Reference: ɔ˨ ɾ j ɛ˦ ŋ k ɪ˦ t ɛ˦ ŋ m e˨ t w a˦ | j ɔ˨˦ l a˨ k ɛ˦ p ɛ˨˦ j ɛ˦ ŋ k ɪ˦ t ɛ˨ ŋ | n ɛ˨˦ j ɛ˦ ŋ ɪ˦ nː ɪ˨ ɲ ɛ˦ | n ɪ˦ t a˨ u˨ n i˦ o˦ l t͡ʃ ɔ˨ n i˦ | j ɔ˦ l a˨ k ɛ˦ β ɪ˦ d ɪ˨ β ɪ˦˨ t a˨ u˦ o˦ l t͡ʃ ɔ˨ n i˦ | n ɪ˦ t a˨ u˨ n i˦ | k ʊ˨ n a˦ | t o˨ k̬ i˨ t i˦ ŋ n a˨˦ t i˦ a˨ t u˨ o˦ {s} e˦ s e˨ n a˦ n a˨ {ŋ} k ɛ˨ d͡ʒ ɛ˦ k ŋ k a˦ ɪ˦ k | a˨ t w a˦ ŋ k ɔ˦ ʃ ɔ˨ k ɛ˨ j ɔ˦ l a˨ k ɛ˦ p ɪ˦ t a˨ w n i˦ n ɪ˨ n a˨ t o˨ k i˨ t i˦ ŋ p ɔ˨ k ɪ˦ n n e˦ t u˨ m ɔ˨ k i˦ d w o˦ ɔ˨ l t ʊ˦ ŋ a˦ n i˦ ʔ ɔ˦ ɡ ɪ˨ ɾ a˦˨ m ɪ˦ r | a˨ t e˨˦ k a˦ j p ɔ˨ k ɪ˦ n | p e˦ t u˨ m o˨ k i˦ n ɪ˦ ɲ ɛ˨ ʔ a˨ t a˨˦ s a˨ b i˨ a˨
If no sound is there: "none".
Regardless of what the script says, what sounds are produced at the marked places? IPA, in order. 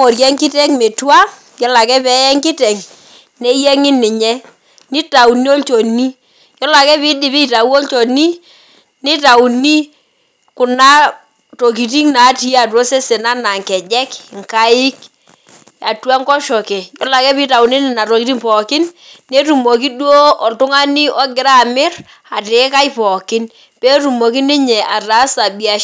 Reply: s, ŋ

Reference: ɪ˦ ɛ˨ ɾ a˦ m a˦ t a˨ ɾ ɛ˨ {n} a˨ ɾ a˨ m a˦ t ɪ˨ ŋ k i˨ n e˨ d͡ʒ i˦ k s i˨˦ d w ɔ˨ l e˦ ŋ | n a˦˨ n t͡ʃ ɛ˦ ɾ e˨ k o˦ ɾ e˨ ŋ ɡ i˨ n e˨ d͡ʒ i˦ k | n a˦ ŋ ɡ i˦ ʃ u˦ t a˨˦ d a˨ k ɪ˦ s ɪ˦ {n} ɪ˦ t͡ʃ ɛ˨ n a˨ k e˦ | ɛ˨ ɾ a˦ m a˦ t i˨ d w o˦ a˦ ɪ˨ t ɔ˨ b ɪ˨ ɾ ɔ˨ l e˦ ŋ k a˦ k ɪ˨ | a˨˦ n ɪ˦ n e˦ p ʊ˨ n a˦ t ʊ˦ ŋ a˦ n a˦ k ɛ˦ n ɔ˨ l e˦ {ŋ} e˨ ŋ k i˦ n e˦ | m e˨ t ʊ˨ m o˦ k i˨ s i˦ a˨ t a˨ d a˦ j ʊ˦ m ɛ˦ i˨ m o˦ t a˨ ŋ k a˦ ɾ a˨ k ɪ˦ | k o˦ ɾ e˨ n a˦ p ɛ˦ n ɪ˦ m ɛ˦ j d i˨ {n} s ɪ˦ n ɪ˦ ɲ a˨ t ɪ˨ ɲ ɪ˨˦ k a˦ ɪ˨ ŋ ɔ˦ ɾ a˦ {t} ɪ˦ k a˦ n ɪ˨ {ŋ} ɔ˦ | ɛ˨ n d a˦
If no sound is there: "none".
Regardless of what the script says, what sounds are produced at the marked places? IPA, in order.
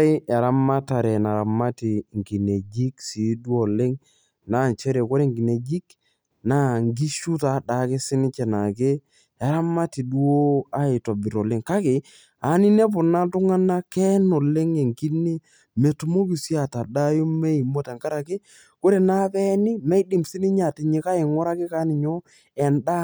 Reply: n, n, ŋ, m, k, ɲ

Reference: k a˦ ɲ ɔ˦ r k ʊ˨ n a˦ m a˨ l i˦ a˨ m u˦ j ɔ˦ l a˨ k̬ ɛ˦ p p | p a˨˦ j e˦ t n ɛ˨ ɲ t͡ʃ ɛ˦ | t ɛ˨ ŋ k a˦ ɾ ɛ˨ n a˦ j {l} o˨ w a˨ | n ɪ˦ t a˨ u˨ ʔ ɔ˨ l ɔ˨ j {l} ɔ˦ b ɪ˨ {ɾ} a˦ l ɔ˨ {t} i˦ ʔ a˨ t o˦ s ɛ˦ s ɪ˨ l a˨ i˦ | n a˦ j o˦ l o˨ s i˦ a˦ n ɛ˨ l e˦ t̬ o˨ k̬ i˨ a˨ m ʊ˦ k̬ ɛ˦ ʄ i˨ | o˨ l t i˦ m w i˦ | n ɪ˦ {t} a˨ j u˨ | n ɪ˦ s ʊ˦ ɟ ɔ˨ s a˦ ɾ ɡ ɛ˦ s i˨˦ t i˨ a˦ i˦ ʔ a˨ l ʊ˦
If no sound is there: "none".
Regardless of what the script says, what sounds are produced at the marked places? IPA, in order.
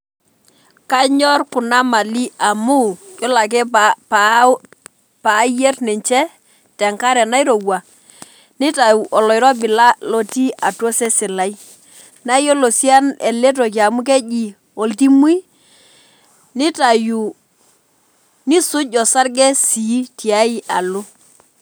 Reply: ɾ, ɾ, l, t, t

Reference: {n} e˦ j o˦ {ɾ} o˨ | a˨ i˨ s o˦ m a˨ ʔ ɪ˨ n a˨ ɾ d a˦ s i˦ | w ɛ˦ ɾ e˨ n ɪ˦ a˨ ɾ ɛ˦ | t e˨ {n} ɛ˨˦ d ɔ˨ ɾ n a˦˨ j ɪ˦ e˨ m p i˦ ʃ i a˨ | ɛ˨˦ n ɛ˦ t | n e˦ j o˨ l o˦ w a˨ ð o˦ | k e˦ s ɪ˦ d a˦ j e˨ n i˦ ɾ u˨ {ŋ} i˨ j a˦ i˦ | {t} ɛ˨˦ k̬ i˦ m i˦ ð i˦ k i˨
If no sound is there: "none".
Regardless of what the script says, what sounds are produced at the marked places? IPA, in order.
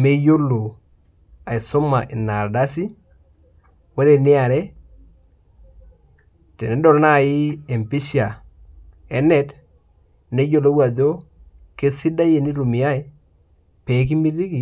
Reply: m, l, n, m, p

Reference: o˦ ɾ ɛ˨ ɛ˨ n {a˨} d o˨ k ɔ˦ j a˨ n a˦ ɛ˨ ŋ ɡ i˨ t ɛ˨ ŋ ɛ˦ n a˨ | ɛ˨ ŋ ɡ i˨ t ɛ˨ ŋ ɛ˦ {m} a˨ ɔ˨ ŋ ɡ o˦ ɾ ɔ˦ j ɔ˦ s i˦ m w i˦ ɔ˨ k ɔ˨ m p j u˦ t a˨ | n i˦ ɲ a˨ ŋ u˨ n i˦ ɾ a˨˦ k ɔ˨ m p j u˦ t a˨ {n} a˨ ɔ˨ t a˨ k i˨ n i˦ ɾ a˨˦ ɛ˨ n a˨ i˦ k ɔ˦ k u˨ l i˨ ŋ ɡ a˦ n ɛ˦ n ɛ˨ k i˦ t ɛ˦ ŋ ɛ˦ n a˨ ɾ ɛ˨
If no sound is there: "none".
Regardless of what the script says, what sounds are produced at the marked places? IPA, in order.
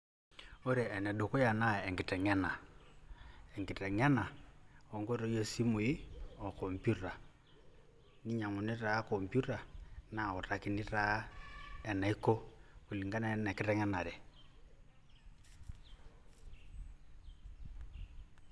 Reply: ɛ˨, n, n

